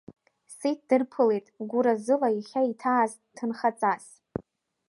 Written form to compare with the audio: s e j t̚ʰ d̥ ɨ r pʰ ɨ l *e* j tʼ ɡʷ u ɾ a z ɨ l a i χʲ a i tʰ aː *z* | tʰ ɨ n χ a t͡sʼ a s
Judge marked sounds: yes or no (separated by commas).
yes, yes